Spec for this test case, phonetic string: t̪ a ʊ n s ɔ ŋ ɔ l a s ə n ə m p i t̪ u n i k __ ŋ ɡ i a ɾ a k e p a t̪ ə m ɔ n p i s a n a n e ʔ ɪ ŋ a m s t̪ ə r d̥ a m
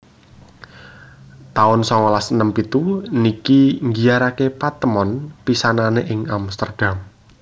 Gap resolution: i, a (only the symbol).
i